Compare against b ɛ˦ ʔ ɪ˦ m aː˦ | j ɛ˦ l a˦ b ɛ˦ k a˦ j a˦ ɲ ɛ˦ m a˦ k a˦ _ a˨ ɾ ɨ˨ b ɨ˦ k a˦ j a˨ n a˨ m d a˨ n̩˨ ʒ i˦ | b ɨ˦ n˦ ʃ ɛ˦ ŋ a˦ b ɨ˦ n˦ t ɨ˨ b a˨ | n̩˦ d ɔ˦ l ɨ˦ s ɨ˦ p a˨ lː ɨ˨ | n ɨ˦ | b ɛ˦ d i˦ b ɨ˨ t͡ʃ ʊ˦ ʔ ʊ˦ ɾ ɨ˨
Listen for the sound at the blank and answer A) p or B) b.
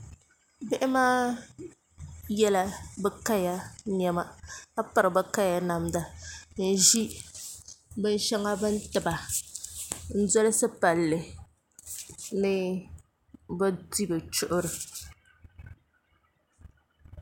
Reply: A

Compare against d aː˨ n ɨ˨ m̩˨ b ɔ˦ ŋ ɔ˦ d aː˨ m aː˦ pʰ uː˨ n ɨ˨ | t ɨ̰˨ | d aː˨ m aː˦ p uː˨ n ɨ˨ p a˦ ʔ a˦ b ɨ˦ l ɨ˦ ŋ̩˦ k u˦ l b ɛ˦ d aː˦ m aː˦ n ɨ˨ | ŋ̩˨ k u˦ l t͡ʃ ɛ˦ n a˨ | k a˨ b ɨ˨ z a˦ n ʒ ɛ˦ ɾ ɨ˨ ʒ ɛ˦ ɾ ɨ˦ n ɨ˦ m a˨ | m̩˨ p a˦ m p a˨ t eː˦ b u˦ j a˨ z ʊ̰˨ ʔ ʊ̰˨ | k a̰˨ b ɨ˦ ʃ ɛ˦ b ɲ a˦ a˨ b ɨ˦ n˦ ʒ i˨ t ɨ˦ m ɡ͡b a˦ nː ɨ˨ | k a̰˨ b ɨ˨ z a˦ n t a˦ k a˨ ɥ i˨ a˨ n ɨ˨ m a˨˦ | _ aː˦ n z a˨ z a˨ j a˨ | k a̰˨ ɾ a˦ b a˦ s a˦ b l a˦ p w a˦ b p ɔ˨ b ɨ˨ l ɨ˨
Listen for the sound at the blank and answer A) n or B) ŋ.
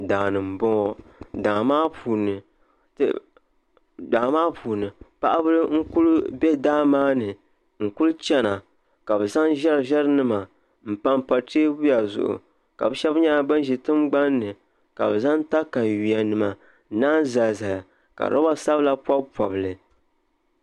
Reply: A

